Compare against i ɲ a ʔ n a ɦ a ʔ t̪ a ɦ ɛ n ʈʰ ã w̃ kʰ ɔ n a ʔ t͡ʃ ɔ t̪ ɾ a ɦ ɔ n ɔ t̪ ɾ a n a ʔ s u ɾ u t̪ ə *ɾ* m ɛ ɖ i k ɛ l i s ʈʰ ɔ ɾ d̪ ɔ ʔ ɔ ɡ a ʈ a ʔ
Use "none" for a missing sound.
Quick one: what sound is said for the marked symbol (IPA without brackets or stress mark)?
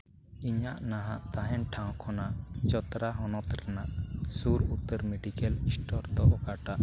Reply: ɾ